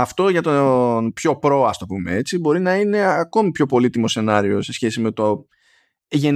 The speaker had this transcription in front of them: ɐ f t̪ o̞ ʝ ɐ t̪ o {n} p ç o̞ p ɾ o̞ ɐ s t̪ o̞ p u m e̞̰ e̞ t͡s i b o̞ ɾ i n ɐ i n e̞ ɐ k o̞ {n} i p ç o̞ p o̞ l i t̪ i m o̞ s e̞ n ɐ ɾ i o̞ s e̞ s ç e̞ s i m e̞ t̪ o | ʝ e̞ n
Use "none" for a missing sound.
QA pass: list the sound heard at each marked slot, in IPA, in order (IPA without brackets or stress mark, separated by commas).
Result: n, m